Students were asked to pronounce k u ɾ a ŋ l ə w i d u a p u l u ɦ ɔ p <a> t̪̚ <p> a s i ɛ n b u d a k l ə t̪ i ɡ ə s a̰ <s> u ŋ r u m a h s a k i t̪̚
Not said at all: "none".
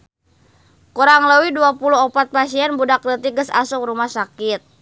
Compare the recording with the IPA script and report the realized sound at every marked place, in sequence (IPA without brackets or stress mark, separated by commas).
a, p, s